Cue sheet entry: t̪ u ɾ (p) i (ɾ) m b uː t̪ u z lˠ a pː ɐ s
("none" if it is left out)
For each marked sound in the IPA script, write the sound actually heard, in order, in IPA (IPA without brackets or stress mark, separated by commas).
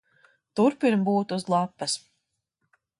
p, ɾ